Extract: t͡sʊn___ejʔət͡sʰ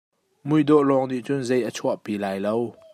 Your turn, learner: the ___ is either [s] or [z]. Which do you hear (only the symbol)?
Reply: z